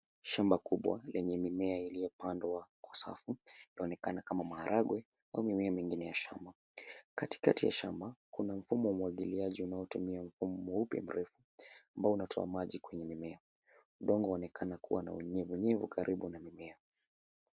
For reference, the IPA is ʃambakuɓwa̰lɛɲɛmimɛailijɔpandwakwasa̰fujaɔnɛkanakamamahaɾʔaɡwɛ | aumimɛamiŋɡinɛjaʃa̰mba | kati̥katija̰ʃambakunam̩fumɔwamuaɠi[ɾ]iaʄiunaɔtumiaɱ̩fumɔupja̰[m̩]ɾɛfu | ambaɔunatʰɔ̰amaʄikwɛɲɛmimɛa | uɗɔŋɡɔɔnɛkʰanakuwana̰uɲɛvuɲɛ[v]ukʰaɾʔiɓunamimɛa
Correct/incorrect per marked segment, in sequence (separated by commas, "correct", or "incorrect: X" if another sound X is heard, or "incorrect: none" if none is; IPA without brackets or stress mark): incorrect: l, correct, correct